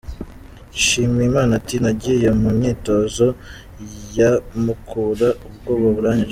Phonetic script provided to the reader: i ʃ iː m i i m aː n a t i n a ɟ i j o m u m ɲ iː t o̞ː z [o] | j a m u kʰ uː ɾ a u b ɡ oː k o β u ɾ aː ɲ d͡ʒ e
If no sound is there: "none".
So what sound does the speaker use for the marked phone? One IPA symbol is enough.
o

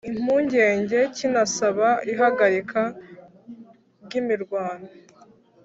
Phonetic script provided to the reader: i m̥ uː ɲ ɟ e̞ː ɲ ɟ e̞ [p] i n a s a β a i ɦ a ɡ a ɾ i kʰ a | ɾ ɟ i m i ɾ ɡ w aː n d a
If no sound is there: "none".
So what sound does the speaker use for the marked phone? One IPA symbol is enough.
c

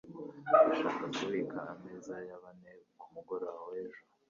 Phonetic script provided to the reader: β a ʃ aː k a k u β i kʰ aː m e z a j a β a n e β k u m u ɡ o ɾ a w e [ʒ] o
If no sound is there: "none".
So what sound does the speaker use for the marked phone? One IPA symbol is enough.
ʒ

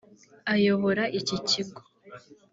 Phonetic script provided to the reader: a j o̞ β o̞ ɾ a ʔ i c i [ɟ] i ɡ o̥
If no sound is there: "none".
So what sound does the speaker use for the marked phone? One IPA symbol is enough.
c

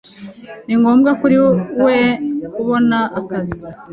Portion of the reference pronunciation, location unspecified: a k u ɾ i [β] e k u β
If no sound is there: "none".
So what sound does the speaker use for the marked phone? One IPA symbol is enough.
w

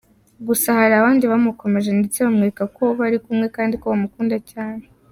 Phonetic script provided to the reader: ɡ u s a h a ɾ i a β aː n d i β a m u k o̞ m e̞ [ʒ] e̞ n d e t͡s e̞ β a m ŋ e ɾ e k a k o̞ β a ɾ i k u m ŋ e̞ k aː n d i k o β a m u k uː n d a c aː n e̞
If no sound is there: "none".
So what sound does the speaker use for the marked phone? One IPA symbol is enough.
ʒ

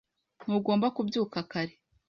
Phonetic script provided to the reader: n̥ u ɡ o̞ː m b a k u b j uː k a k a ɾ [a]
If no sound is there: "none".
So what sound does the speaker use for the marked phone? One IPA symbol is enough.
e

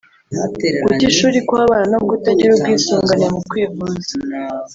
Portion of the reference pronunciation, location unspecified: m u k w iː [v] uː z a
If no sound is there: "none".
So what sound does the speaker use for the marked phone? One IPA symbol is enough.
v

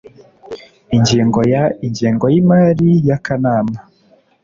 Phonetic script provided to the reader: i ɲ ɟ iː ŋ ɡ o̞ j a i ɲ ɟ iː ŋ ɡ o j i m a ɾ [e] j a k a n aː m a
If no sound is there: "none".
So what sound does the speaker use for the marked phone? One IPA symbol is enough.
i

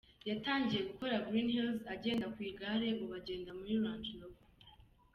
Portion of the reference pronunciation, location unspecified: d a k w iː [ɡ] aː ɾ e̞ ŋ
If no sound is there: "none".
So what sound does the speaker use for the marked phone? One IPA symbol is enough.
ɡ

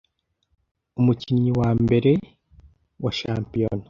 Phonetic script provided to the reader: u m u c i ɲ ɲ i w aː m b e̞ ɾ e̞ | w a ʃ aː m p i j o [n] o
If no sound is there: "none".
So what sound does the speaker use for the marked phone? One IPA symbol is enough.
n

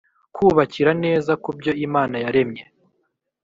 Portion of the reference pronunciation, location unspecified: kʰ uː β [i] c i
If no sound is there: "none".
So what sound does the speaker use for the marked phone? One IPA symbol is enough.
a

